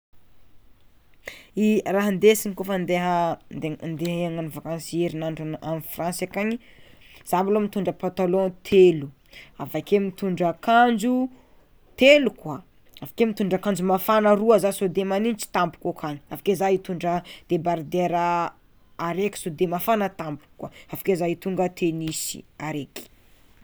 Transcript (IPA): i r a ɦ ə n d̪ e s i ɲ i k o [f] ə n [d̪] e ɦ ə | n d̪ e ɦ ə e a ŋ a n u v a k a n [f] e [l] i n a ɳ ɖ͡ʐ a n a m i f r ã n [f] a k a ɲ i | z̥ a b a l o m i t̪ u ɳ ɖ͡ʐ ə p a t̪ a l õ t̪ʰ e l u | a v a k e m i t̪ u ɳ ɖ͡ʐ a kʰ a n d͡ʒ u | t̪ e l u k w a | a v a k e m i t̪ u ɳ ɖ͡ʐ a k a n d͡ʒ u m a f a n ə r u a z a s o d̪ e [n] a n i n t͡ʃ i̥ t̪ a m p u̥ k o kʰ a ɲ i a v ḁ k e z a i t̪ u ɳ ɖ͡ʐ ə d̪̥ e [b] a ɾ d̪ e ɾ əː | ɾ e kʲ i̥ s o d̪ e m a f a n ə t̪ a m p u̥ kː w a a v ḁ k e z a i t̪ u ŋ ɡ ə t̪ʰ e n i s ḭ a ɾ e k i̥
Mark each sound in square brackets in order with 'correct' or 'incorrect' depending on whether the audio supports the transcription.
correct, correct, incorrect, incorrect, incorrect, incorrect, correct

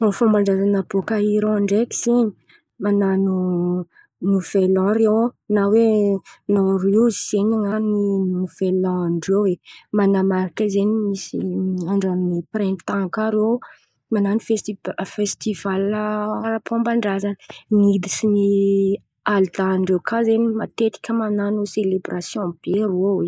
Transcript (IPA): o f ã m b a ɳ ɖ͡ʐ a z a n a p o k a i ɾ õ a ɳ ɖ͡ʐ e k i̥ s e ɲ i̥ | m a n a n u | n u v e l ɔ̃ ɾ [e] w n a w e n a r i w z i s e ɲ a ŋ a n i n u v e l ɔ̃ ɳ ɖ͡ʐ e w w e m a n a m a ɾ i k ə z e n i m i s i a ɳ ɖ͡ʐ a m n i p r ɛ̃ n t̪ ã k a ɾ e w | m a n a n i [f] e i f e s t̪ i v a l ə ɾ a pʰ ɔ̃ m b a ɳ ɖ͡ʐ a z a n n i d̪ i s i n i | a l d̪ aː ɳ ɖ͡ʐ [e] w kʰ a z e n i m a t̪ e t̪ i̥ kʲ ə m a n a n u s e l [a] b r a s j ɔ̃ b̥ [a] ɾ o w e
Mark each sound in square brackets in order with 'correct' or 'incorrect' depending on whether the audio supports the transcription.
correct, correct, correct, incorrect, incorrect

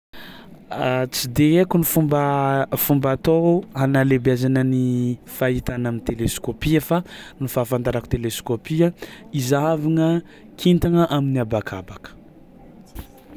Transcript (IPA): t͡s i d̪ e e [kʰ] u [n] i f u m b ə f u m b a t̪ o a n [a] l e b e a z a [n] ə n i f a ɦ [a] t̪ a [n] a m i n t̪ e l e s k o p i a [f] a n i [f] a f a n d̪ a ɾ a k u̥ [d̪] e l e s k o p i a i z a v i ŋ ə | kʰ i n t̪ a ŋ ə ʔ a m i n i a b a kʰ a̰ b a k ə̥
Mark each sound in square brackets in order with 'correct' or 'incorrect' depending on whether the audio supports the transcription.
incorrect, correct, correct, correct, incorrect, correct, correct, correct, incorrect

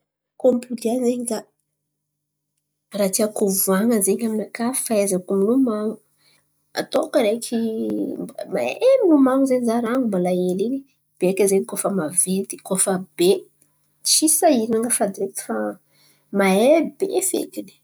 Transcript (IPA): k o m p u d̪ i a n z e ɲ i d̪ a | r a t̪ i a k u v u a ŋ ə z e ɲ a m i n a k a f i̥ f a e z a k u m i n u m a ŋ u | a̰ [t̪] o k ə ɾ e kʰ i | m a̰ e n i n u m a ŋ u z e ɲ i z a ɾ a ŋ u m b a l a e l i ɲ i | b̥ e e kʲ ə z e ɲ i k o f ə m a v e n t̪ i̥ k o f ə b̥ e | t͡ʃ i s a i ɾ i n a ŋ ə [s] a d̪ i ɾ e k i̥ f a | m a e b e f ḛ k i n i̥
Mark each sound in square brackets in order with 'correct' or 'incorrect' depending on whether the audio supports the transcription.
correct, incorrect

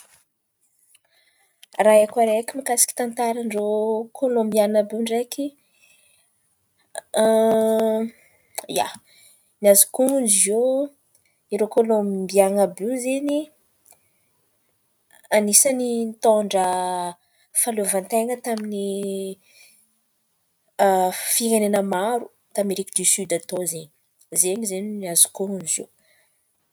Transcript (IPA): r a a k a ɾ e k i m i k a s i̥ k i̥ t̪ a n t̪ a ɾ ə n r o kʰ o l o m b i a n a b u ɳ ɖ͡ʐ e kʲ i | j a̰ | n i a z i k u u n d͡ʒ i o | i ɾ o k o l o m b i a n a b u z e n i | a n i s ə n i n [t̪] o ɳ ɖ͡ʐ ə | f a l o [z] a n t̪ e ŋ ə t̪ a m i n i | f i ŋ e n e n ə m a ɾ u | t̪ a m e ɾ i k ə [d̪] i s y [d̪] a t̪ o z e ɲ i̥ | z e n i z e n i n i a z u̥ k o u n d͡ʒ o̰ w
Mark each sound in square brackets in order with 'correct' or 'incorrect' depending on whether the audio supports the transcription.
correct, incorrect, correct, correct

